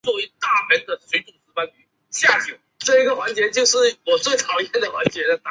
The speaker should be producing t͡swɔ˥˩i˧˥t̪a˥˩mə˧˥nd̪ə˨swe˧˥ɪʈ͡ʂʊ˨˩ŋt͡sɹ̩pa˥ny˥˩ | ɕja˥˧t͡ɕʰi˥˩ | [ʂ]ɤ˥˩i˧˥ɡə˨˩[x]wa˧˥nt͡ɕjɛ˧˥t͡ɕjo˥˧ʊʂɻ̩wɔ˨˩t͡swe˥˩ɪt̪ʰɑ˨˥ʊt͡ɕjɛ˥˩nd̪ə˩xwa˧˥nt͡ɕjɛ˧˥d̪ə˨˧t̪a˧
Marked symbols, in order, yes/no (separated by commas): no, yes